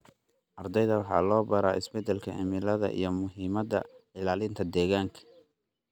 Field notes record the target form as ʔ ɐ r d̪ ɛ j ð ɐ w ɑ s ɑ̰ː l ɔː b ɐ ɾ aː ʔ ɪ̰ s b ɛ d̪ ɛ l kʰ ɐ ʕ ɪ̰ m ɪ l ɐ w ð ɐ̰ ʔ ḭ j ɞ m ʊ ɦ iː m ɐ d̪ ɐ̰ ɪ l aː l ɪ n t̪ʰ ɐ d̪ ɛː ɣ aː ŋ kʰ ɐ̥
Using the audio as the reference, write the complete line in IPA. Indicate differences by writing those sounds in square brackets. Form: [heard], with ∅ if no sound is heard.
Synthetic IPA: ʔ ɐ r d̪ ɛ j ð ɐ w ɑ [ħ] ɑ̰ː l ɔː b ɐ ɾ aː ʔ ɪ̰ s b ɛ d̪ ɛ l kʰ ɐ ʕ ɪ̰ m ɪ l ɐ [∅] ð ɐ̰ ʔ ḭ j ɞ m ʊ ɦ iː m ɐ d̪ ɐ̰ ɪ l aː l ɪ n t̪ʰ ɐ d̪ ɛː ɣ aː ŋ kʰ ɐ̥

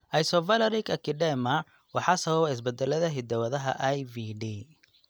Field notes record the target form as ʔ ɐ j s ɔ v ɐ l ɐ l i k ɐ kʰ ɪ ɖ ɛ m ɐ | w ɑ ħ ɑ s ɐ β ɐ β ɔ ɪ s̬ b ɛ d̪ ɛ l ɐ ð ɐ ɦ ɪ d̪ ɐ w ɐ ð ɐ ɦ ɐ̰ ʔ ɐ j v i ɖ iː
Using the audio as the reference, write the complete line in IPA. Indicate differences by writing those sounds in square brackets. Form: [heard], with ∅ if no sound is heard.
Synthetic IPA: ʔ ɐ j s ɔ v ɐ l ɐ [ɾ] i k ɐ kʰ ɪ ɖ ɛ m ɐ | w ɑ ħ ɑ s ɐ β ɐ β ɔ ɪ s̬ b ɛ d̪ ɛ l ɐ ð ɐ ɦ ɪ d̪ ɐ w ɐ ð ɐ ɦ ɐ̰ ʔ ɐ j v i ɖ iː

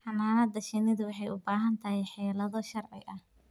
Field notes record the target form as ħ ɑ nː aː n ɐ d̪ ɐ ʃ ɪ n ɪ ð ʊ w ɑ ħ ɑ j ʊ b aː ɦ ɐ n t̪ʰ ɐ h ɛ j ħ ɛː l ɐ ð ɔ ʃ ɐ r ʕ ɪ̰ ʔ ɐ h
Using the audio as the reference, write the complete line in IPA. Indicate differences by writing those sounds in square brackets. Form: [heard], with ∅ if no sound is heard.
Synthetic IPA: ħ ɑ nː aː n ɐ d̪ ɐ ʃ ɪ n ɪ ð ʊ w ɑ ħ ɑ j ʊ b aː ɦ ɐ n t̪ʰ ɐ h ɛ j ħ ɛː l ɐ ð ɔ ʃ ɐ r ʕ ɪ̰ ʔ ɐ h

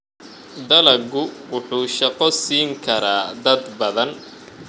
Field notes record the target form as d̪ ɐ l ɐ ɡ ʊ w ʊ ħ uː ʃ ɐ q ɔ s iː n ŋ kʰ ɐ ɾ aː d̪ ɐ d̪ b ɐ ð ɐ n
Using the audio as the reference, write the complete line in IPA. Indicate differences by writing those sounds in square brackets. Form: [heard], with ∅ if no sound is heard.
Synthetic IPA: d̪ ɐ l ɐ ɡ ʊ w ʊ ħ uː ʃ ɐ q ɔ s iː [∅] ŋ kʰ ɐ ɾ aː d̪ ɐ d̪ b ɐ ð ɐ n

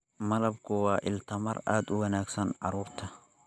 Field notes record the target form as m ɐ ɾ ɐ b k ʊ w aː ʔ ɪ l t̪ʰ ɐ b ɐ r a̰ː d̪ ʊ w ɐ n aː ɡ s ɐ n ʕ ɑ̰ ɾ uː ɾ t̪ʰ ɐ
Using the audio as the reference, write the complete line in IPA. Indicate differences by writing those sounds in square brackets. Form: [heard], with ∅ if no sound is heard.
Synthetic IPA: m ɐ [l] ɐ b k ʊ w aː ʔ ɪ l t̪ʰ ɐ [m] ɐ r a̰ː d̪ ʊ w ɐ n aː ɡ s ɐ n ʕ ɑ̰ ɾ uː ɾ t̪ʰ ɐ

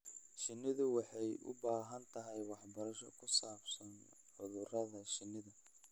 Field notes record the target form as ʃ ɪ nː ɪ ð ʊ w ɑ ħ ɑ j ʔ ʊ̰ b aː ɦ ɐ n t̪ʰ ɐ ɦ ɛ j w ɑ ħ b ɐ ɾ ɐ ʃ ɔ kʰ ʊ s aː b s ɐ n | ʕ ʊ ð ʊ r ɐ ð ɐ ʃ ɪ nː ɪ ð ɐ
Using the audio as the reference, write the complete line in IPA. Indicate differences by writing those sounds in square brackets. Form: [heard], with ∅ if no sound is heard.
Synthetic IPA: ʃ ɪ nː ɪ ð ʊ w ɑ ħ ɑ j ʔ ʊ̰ b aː ɦ ɐ n t̪ʰ ɐ ɦ ɛ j w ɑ ħ b ɐ ɾ ɐ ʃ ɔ kʰ ʊ s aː b s ɐ n | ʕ ʊ ð ʊ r ɐ ð ɐ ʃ ɪ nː ɪ ð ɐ

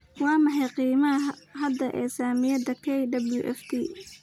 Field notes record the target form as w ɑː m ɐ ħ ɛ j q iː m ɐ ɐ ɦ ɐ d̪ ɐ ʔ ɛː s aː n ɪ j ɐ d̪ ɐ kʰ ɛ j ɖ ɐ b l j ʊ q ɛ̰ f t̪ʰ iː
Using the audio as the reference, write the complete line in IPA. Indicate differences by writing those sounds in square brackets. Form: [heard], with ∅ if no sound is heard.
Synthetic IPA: w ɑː m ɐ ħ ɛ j q iː m ɐ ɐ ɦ ɐ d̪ ɐ ʔ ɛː s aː [m] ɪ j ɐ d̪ ɐ kʰ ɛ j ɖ ɐ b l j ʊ [ʔ] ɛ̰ f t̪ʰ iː

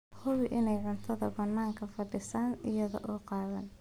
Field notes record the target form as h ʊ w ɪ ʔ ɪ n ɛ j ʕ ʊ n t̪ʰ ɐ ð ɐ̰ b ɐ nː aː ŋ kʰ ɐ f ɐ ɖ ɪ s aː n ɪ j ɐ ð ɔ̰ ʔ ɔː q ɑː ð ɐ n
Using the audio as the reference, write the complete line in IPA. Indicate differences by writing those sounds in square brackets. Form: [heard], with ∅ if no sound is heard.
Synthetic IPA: h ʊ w ɪ ʔ ɪ n ɛ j ʕ ʊ n t̪ʰ ɐ ð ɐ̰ b ɐ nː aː ŋ kʰ ɐ f ɐ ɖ ɪ s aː n ɪ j ɐ ð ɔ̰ ʔ ɔː q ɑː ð ɐ n

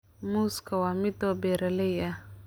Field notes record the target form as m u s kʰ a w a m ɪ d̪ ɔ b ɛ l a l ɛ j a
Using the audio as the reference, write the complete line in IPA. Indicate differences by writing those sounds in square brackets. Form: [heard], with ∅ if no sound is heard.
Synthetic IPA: m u s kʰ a w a m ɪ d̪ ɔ b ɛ [ɾ] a l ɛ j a

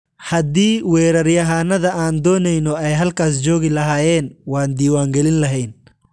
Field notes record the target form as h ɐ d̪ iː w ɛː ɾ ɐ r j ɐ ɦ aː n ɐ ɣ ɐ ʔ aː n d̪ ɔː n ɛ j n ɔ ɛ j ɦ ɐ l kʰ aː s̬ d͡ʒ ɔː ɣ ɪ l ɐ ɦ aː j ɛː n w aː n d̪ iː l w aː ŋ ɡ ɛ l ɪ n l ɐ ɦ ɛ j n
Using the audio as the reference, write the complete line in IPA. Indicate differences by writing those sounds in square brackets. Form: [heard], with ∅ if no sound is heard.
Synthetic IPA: h ɐ d̪ iː w ɛː ɾ ɐ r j ɐ ɦ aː n ɐ [ð] ɐ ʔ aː n d̪ ɔː n ɛ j n ɔ ɛ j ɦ ɐ l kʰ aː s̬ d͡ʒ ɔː ɣ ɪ l ɐ ɦ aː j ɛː n w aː n d̪ iː [∅] w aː ŋ ɡ ɛ l ɪ n l ɐ ɦ ɛ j n

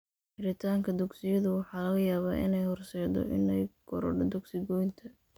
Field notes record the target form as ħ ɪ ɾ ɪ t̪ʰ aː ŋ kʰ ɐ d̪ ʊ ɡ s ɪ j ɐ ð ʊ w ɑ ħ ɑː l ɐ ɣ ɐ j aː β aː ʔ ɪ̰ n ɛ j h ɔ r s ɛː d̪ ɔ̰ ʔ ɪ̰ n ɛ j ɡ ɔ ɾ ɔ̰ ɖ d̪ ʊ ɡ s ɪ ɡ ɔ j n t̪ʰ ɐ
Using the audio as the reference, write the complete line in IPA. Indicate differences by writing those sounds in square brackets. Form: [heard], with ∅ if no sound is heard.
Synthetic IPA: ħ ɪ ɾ ɪ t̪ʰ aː ŋ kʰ ɐ d̪ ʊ ɡ s ɪ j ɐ ð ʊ w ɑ ħ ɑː l ɐ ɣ ɐ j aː β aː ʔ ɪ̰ n ɛ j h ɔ r s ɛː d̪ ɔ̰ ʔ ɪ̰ n ɛ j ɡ ɔ ɾ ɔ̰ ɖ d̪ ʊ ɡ s ɪ ɡ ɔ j n t̪ʰ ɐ

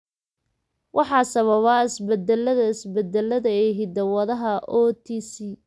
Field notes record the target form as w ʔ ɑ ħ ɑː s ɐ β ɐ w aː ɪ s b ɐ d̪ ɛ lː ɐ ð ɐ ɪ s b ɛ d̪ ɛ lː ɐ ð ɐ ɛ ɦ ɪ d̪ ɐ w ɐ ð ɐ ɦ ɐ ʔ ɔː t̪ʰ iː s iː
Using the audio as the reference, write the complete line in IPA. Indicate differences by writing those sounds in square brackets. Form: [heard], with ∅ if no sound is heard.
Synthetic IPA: w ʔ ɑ ħ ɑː s ɐ β ɐ [β] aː ɪ s b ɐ d̪ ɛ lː ɐ ð ɐ ɪ s b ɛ d̪ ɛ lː ɐ ð ɐ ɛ ɦ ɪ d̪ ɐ w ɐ ð ɐ ɦ ɐ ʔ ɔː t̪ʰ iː s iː

